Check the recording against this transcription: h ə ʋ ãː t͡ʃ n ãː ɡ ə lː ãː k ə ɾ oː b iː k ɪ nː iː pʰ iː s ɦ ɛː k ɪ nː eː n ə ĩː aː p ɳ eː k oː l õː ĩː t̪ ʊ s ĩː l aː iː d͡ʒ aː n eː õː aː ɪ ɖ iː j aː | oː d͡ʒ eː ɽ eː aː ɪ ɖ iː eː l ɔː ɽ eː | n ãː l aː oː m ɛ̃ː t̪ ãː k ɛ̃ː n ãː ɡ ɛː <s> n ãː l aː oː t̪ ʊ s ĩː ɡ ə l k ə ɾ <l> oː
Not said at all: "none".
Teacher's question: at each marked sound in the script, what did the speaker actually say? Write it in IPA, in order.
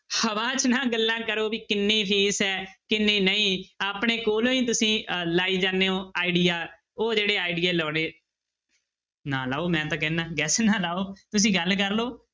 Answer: s, l

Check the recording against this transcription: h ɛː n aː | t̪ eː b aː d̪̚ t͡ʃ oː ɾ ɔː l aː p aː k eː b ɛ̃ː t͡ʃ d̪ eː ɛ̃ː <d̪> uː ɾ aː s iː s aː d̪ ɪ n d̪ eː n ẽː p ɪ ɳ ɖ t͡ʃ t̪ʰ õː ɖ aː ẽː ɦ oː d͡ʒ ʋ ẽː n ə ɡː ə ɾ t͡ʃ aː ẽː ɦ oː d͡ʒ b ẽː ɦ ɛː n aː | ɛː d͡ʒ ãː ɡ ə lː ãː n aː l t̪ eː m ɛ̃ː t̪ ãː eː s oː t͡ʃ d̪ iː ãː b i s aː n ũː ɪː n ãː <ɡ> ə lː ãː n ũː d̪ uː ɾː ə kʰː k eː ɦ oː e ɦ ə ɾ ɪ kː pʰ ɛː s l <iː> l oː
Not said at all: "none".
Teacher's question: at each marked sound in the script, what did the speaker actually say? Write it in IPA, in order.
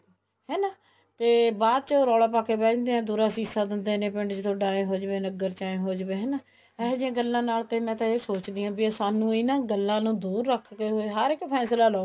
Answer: d̪, ɡ, aː

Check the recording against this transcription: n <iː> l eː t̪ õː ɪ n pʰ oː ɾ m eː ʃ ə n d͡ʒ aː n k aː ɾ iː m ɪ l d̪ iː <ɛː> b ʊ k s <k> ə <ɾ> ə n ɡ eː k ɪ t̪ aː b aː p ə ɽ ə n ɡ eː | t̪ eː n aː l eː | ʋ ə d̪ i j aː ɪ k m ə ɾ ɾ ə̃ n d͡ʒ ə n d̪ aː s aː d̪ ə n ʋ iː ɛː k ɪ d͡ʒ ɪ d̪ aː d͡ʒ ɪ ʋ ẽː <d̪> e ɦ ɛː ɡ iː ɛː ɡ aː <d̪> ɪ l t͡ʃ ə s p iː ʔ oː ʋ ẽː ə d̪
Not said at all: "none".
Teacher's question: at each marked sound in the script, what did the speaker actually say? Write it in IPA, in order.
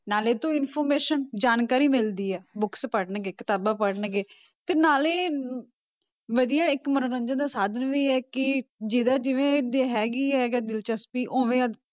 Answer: aː, ɛː, p, ɽ, d̪, d̪

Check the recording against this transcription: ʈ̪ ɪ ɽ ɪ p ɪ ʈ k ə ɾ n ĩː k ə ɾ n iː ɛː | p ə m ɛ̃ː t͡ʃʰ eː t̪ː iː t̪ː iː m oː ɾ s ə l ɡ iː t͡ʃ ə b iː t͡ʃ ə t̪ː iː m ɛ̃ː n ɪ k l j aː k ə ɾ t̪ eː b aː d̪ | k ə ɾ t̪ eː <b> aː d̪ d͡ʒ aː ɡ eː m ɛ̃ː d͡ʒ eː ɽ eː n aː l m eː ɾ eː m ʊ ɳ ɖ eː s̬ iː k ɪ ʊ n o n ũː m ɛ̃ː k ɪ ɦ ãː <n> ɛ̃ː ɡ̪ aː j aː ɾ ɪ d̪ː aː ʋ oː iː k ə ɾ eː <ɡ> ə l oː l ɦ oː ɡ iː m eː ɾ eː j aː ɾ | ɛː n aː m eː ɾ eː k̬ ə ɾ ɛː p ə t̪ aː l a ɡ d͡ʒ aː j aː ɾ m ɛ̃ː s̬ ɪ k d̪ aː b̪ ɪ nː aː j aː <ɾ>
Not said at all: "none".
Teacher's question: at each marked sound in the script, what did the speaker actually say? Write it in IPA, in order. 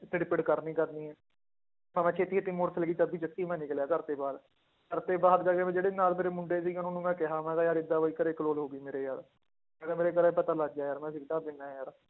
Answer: b, m, k, ɾ

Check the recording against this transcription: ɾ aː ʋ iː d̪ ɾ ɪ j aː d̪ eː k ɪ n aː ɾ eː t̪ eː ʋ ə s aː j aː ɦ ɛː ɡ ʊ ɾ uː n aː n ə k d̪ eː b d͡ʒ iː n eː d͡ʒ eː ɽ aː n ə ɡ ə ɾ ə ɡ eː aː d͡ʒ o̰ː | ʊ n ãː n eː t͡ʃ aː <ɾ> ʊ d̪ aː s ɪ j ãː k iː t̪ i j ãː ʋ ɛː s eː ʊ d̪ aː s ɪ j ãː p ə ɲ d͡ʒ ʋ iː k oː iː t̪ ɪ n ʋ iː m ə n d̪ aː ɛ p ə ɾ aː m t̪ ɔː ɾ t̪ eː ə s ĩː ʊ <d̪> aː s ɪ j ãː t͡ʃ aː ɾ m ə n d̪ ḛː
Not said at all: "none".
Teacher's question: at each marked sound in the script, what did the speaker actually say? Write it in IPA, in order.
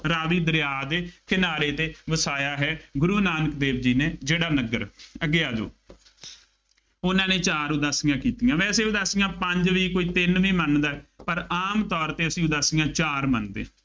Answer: ɾ, d̪

